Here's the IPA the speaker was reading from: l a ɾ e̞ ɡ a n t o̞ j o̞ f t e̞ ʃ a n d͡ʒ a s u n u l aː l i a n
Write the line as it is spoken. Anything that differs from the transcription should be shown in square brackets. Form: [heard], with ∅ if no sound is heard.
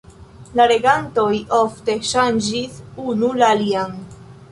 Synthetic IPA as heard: l a ɾ e̞ ɡ a n t o̞ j o̞ f t e̞ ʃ a n d͡ʒ [i] s u n u l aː l i a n